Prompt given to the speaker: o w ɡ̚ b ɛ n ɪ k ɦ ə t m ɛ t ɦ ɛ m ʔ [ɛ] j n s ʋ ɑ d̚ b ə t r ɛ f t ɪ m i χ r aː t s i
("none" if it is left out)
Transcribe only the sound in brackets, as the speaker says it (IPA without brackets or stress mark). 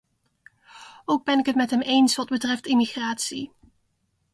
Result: e